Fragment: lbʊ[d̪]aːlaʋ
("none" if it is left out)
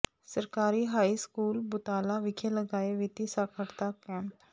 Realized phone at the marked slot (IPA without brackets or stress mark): t̪